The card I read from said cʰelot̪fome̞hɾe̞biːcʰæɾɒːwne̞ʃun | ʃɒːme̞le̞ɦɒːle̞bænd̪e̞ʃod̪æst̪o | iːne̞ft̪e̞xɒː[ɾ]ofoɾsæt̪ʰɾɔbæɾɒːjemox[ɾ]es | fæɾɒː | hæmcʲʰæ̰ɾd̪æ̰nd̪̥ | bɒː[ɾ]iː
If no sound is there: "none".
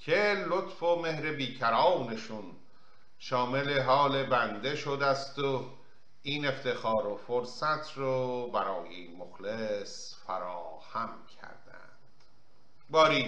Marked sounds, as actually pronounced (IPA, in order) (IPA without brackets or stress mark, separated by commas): ɾ, l, ɾ